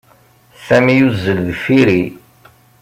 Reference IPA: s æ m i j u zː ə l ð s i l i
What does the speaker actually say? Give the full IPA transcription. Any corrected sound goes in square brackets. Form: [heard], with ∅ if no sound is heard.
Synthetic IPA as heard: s æ m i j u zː ə l ð [f] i [ɾ] i